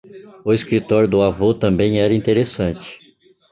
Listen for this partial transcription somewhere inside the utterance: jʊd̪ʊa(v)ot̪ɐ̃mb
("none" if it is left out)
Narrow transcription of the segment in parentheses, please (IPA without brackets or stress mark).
v